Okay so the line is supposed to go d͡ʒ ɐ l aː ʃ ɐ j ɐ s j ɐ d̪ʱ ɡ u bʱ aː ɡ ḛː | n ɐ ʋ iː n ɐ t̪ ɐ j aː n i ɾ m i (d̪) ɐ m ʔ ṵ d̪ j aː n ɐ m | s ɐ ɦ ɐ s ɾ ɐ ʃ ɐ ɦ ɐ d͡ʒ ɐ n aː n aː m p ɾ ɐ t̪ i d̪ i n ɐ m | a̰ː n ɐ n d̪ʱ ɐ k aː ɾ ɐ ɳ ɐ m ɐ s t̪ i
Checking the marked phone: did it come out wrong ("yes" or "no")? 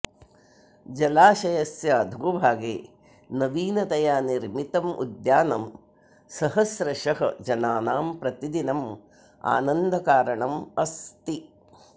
yes